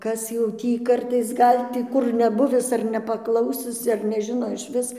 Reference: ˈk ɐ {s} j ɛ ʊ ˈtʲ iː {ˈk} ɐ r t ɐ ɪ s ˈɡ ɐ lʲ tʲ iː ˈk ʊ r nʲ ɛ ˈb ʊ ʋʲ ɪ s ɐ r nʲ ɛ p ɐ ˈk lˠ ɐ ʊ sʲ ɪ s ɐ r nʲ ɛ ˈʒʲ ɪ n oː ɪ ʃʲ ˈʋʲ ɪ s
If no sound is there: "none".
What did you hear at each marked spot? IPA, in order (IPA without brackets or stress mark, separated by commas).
s, k